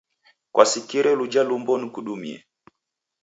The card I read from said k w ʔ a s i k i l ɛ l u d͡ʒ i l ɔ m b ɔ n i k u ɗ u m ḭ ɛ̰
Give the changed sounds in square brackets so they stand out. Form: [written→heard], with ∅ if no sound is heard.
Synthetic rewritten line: k w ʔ a s i k i [l→ɾ] ɛ l u d͡ʒ [i→a] l [ɔ→u] m b ɔ n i k u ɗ u m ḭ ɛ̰